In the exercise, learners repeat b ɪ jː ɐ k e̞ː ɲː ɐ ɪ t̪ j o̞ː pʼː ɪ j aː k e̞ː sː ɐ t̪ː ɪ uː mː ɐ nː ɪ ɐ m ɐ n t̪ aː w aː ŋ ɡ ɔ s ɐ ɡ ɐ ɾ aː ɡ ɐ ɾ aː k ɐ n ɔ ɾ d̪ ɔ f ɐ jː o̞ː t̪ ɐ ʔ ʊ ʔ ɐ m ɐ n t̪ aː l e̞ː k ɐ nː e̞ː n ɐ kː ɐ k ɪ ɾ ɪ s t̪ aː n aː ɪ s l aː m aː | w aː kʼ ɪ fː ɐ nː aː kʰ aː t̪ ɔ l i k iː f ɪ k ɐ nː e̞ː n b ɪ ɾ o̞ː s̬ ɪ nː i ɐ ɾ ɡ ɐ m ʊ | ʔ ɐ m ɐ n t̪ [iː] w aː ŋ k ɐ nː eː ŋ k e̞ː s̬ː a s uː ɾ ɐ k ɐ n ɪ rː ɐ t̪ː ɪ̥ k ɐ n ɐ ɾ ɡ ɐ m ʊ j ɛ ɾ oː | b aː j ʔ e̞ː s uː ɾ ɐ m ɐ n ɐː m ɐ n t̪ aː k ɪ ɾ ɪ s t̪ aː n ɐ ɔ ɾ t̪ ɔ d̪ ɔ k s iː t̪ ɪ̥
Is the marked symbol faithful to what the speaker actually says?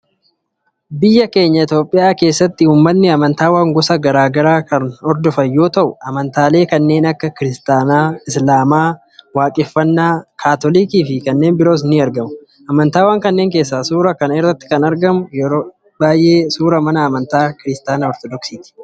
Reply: no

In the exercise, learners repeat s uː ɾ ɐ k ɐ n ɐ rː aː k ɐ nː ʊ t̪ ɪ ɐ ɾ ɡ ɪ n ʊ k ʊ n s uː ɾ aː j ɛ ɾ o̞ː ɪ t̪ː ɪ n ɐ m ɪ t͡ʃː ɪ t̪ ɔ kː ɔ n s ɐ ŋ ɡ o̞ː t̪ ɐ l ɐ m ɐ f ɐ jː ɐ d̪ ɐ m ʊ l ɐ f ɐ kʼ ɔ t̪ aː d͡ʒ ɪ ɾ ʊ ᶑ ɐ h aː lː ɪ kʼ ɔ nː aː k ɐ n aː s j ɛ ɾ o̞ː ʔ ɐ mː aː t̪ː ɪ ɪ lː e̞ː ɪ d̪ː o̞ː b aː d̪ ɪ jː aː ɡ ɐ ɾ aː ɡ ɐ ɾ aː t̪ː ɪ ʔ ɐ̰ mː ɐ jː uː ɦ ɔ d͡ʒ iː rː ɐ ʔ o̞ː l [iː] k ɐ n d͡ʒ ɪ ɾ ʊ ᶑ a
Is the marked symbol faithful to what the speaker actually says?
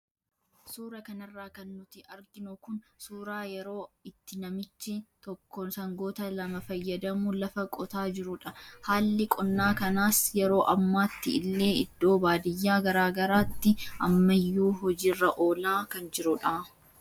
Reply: no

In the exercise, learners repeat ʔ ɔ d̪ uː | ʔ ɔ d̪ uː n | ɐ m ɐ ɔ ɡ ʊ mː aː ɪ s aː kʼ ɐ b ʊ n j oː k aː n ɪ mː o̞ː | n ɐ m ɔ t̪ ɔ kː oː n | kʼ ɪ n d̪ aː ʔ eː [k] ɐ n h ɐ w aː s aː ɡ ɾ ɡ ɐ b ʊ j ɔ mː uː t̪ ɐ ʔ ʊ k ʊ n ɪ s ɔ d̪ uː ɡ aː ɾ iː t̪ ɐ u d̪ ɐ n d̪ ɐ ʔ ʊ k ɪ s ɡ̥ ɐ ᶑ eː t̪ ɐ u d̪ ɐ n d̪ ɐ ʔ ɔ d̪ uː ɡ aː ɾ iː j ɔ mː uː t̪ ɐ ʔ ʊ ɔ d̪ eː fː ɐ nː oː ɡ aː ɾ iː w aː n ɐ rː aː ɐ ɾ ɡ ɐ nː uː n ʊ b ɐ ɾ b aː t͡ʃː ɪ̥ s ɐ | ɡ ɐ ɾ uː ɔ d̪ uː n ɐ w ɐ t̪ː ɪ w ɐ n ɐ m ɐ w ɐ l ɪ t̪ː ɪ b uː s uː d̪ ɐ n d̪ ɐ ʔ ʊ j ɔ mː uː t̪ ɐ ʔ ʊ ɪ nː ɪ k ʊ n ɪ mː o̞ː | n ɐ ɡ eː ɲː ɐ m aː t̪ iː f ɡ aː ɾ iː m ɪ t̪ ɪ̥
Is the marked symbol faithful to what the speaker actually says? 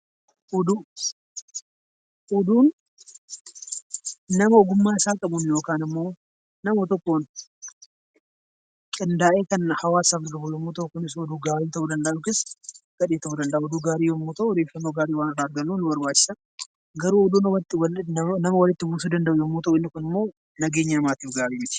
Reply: yes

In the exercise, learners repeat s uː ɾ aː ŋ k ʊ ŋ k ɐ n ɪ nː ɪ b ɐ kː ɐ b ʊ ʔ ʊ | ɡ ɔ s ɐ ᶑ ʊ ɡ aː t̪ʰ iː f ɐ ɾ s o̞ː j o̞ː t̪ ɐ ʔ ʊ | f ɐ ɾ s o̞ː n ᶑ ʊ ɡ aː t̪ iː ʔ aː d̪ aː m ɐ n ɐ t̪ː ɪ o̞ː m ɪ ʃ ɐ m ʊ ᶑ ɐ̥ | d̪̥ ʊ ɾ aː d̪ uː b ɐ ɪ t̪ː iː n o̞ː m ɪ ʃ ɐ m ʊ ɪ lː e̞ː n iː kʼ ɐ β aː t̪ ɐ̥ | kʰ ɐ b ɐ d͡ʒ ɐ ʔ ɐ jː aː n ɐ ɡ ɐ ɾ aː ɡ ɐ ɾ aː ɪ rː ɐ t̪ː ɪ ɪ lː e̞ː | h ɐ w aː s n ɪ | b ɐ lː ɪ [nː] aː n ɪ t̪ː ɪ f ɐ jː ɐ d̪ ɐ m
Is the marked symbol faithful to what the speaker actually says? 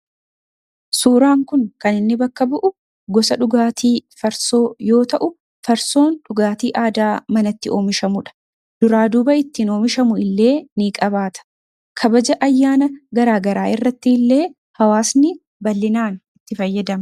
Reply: no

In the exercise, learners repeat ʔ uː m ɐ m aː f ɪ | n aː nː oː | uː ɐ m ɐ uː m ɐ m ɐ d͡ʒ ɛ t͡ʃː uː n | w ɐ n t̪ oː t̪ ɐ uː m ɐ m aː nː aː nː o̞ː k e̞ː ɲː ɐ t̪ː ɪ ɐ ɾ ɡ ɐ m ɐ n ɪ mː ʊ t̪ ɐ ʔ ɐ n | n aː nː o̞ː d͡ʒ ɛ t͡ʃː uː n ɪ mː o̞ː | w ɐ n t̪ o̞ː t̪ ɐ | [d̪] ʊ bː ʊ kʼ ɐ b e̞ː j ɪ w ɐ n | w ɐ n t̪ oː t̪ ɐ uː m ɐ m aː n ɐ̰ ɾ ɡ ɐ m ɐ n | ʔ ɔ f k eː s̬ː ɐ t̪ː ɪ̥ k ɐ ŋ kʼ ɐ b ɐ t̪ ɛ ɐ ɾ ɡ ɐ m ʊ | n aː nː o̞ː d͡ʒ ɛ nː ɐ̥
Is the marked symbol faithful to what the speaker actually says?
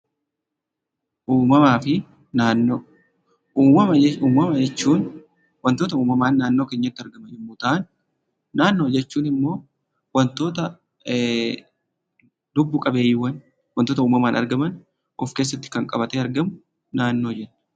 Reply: yes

